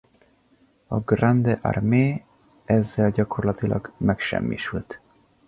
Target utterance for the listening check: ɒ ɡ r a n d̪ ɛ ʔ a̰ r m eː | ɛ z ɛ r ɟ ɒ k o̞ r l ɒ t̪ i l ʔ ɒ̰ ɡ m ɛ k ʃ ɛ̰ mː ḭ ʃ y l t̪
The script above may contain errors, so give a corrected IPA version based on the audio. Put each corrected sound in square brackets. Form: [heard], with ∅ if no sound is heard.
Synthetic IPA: ɒ ɡ r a n d̪ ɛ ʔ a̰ r m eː | ɛ [zː] ɛ [l] ɟ ɒ k o̞ r l ɒ t̪ i l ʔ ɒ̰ ɡ m ɛ k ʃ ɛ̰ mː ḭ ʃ y l t̪